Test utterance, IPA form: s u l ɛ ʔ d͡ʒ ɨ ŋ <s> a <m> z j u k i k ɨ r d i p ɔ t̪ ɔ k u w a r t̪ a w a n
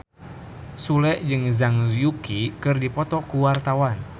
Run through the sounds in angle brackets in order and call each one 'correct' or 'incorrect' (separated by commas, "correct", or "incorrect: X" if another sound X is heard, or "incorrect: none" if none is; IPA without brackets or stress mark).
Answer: incorrect: z, incorrect: ŋ